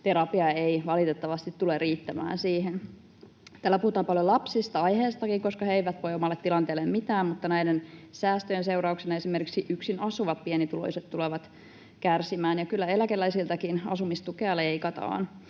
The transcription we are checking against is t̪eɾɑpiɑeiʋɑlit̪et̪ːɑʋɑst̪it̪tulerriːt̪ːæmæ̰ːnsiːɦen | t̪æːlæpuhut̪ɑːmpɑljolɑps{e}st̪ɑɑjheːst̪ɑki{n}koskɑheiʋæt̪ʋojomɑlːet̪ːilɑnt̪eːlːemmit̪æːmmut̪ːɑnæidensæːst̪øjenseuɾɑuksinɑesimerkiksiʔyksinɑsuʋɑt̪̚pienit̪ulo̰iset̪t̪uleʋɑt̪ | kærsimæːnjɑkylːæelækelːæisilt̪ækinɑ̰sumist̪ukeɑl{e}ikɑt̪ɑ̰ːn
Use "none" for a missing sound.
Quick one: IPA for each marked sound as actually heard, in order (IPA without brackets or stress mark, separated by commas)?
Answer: i, ŋ, e